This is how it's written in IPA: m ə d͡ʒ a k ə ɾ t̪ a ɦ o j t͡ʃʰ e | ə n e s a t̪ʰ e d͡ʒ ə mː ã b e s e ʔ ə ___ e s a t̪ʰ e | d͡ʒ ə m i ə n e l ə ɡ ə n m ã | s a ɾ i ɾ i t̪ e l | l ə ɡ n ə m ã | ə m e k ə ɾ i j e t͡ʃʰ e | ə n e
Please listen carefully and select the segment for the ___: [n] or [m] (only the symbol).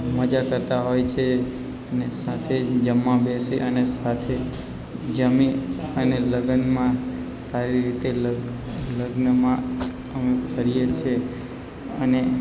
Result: n